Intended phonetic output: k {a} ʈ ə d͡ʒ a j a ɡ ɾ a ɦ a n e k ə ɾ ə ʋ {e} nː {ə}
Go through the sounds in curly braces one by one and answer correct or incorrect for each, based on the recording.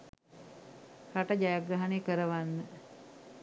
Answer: correct, incorrect: a, correct

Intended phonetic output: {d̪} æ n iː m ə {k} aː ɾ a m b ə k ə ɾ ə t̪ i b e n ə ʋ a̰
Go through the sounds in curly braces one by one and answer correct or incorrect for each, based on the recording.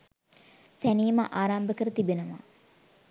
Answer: incorrect: t̪, incorrect: ʔ

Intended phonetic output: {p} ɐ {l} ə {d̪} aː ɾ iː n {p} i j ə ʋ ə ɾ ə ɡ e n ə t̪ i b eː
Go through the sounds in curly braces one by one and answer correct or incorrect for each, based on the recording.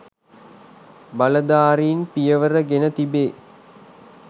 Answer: incorrect: b, correct, correct, correct

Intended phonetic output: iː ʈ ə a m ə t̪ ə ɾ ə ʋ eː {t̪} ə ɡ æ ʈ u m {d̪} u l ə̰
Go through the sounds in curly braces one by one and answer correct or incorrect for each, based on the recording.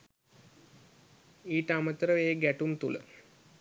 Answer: incorrect: none, incorrect: t̪

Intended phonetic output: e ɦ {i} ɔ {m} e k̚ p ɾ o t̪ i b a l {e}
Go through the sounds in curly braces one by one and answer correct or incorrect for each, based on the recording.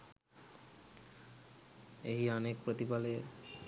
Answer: correct, incorrect: n, correct

